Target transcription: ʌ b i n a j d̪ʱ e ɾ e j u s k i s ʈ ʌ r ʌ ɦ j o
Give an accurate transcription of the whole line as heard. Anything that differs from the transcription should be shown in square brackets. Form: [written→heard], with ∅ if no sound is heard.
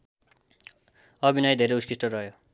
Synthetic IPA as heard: ʌ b i n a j d̪ʱ e ɾ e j u s k i s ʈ ʌ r ʌ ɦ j o